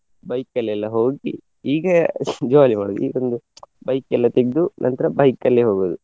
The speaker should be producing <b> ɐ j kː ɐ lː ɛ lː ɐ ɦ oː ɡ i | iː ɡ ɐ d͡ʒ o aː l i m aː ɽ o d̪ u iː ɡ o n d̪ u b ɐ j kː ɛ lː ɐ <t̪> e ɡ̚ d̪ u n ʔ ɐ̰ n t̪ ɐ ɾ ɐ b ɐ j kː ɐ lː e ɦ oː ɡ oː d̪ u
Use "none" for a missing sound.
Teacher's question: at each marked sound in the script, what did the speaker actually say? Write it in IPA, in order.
b, t̪

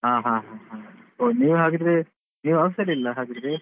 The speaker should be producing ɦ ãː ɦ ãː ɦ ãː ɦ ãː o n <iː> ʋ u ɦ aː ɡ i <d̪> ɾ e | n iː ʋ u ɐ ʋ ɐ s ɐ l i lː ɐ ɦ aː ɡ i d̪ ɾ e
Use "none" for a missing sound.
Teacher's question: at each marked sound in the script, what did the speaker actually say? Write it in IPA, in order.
iː, d̪

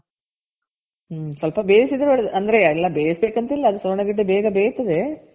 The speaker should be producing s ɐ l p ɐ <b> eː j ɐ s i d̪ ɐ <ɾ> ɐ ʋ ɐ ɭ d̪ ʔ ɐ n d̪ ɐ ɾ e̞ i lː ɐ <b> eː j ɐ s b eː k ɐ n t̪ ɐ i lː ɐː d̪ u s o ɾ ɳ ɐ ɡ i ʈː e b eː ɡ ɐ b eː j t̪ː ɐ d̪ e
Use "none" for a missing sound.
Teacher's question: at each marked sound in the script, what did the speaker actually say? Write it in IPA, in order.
b, ɾ, b

